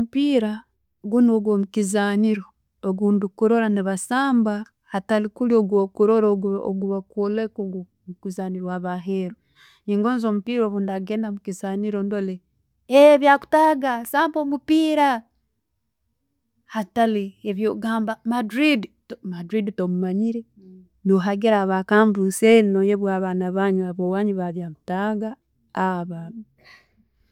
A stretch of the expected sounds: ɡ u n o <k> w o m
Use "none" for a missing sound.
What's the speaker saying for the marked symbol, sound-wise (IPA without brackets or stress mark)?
ɡ